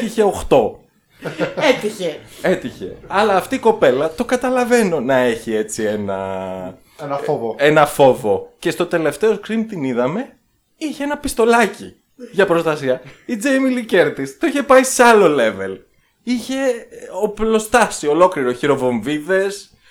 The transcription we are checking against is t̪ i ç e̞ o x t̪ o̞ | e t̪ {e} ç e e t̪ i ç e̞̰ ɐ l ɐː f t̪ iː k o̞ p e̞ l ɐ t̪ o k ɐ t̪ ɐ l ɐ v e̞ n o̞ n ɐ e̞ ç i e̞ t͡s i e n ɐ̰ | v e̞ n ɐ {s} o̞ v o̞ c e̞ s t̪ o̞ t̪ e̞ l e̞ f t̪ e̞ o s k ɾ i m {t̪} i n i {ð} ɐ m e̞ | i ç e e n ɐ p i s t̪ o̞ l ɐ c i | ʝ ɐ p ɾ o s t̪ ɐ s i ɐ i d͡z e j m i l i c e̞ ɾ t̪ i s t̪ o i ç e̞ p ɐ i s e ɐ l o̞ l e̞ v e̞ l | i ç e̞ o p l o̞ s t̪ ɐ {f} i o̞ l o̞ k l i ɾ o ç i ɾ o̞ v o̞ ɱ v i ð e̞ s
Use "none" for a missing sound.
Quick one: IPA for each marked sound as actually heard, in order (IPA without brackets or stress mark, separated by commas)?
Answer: i, f, t̪, ð, s